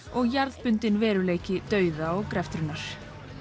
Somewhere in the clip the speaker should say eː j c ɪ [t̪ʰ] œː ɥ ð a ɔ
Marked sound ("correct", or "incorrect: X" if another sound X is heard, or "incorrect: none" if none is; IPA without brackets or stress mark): incorrect: t̪